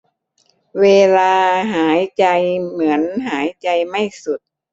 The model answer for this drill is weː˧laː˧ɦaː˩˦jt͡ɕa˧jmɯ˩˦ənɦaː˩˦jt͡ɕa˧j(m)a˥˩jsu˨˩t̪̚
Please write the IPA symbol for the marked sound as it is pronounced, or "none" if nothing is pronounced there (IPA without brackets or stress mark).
m